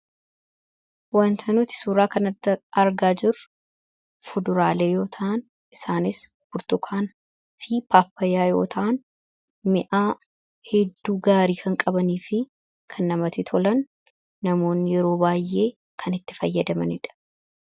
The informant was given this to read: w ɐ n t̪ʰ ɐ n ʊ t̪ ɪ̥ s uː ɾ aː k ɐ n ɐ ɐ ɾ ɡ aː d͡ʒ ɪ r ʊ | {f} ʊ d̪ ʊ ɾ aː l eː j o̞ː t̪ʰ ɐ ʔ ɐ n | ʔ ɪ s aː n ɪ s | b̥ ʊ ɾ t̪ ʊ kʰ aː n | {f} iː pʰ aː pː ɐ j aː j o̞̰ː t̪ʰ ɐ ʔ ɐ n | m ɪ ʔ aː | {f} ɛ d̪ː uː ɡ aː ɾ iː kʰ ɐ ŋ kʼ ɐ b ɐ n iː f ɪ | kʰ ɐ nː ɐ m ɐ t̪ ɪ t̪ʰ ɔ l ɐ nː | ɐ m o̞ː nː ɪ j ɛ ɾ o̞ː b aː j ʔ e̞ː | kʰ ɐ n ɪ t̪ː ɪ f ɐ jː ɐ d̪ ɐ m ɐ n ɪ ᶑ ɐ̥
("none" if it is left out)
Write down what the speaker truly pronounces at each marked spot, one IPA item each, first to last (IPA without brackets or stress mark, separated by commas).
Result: f, f, h